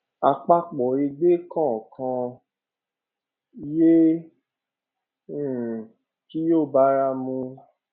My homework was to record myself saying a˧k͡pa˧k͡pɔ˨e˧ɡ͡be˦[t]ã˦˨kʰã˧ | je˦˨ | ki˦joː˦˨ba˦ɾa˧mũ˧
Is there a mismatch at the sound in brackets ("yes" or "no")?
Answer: yes